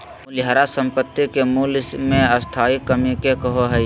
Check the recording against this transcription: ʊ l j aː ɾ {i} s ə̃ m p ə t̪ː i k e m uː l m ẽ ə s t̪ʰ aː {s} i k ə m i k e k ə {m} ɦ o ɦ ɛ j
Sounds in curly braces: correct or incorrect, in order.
incorrect, incorrect, incorrect

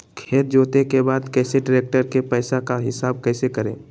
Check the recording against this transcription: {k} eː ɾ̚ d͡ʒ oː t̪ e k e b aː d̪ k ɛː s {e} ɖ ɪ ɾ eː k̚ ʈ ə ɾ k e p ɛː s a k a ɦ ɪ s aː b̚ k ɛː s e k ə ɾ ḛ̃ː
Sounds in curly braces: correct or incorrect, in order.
incorrect, correct

